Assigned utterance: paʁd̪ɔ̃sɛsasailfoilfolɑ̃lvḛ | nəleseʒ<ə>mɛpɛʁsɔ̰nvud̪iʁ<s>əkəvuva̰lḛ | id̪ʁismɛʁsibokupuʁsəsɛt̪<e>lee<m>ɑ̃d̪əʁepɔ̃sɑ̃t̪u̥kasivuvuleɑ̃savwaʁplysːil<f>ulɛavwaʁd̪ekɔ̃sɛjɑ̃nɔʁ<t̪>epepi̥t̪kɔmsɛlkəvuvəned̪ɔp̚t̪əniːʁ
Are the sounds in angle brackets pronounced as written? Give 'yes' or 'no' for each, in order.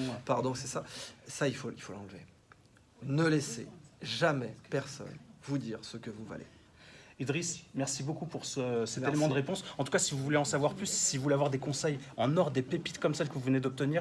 no, yes, yes, yes, no, no

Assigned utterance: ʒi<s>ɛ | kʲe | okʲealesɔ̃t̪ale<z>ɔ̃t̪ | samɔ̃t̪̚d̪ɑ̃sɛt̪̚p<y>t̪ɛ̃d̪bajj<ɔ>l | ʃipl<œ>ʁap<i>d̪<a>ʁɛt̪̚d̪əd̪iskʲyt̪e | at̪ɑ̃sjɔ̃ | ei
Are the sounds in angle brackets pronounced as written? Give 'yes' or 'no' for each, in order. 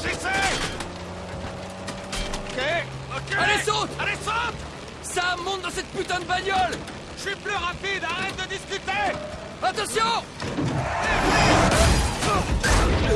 yes, no, yes, yes, no, yes, yes

